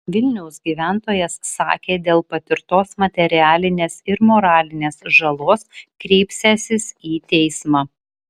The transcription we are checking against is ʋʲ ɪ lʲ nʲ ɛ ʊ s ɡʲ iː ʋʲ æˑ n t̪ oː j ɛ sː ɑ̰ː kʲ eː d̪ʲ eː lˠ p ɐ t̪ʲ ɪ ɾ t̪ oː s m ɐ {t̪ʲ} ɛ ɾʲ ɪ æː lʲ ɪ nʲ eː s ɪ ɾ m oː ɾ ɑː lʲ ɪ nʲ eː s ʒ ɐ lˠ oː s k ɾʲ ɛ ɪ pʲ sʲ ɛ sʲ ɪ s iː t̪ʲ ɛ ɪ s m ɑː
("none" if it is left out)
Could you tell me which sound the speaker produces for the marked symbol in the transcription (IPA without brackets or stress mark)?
t̪ʲ